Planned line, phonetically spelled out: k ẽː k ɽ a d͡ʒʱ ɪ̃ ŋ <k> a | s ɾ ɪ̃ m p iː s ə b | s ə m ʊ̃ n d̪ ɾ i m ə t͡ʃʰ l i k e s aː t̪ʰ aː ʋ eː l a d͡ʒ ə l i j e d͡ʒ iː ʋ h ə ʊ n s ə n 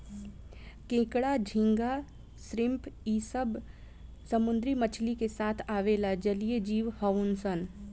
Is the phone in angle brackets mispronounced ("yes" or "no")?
yes